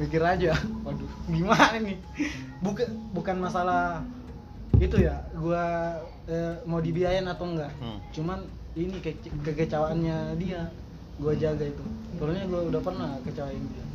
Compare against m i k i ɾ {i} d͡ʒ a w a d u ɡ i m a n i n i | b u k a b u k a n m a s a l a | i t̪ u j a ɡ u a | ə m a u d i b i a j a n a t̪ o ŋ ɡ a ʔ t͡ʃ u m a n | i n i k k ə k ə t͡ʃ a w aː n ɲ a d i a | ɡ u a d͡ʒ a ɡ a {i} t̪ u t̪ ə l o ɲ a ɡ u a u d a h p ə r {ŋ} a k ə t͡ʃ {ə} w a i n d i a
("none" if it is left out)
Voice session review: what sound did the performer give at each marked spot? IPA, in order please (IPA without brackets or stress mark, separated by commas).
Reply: a, i, n, a